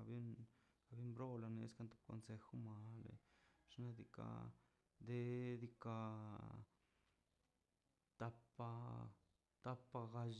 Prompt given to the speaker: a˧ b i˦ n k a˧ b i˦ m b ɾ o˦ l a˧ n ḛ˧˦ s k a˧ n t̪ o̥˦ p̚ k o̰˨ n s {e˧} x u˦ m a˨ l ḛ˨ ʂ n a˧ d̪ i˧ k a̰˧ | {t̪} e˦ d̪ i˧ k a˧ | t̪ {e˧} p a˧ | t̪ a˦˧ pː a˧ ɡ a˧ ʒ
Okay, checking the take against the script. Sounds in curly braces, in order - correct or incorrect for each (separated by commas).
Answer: correct, incorrect, incorrect